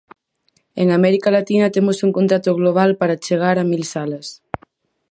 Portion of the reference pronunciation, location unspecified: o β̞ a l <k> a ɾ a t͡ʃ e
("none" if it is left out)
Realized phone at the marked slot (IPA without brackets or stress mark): p